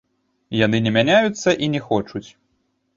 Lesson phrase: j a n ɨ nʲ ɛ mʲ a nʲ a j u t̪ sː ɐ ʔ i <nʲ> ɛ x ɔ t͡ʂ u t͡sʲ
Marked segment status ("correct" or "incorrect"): correct